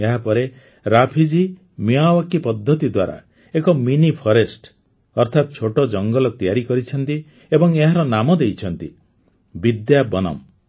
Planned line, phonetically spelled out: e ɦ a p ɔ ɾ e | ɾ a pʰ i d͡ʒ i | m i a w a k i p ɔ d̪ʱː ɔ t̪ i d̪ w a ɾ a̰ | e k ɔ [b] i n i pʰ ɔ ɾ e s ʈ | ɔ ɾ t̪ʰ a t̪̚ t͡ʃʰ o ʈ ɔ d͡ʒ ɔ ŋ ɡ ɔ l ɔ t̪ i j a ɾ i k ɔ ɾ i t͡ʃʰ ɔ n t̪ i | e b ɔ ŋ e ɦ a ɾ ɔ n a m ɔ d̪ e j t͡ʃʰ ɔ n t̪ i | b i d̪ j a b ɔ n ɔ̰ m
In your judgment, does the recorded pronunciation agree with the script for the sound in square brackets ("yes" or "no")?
no